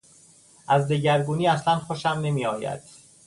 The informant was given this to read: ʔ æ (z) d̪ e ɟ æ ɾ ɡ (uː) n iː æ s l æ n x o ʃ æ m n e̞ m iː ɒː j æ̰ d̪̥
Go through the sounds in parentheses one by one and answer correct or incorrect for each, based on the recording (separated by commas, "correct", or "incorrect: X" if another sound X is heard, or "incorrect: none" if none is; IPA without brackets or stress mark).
correct, correct